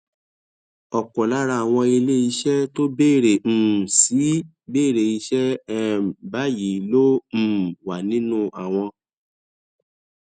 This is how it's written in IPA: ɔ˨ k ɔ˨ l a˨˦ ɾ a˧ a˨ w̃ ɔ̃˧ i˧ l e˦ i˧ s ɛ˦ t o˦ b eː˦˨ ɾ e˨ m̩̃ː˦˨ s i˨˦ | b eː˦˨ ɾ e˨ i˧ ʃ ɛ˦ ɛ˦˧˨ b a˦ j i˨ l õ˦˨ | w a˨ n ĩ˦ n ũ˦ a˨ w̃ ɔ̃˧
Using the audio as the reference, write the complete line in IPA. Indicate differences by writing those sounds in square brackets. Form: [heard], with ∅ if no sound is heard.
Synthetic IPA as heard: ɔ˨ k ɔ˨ l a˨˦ ɾ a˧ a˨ w̃ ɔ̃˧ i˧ l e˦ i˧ [ʃ] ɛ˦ t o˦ b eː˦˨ ɾ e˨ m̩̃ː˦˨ s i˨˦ | b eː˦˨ ɾ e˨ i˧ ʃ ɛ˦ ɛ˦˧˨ b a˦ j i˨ l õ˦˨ | w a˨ n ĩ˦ n ũ˦ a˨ w̃ ɔ̃˧